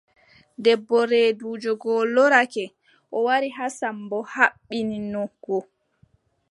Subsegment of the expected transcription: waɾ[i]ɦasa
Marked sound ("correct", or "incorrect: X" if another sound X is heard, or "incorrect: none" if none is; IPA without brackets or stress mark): correct